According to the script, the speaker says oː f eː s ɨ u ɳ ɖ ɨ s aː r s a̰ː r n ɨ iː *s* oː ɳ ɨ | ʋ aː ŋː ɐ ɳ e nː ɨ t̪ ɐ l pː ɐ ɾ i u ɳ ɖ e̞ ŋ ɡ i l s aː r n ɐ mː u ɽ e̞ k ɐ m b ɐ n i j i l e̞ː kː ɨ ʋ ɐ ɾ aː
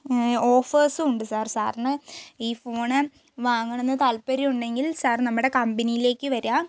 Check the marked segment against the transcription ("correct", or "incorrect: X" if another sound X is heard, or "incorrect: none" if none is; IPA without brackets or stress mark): incorrect: f